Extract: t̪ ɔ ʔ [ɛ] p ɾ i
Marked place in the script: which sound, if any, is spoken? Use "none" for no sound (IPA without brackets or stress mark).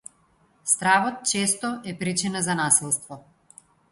ɛ